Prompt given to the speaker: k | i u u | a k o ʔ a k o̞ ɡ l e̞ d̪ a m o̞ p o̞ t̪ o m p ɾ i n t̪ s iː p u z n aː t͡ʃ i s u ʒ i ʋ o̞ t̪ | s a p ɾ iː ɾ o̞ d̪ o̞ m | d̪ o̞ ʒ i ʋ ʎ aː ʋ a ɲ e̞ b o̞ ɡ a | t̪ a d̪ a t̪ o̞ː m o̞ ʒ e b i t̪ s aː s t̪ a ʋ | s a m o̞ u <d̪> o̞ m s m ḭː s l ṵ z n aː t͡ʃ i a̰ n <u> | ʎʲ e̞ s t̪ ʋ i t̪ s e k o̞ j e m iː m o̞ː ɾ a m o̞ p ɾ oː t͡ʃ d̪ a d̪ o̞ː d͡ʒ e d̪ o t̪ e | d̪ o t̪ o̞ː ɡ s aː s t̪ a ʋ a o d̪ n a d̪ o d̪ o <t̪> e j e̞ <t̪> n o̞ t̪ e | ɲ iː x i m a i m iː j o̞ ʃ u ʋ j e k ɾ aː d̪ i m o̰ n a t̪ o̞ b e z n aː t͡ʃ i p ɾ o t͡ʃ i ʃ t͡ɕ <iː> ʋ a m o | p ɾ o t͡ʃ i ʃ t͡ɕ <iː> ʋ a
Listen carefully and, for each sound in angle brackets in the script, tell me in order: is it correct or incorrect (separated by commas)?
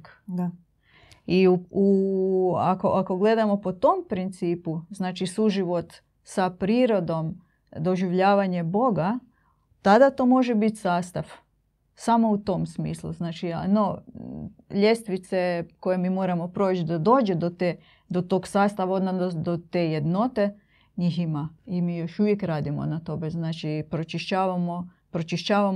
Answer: incorrect, incorrect, correct, incorrect, incorrect, incorrect